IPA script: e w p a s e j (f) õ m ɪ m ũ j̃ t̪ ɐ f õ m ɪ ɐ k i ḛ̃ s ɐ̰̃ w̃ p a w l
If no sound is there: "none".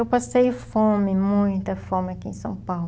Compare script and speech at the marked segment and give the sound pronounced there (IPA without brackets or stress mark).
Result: f